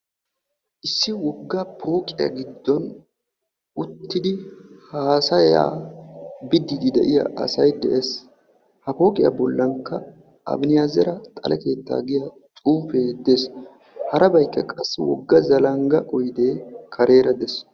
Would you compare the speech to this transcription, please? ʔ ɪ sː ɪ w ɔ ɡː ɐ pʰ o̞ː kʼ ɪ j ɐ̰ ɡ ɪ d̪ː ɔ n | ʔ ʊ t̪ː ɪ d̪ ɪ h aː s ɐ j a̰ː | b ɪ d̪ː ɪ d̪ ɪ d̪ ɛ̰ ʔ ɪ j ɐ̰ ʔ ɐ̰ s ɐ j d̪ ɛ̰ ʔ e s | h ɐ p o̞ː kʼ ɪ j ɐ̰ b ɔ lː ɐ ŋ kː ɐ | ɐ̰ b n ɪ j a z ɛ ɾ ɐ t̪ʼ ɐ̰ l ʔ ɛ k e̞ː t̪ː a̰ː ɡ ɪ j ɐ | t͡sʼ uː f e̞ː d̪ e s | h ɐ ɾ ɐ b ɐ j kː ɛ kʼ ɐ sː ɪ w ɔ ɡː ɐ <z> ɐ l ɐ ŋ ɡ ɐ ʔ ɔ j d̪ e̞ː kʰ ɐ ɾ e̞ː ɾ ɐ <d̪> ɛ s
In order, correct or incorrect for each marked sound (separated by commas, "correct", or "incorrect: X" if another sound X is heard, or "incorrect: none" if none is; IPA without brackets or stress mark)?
correct, correct